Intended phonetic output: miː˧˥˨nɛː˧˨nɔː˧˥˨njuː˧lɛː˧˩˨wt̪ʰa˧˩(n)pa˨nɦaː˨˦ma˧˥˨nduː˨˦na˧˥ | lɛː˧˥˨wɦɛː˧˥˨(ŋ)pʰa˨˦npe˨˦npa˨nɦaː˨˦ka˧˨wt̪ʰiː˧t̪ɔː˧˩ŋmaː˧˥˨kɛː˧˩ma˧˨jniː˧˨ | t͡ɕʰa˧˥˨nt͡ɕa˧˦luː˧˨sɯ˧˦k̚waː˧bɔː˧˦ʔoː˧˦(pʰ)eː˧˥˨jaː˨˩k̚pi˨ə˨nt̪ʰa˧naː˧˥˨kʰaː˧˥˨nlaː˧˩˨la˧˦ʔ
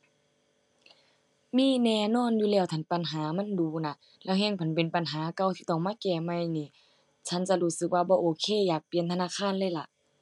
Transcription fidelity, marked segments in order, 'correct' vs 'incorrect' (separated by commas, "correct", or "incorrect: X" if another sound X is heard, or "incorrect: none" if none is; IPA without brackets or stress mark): correct, correct, incorrect: kʰ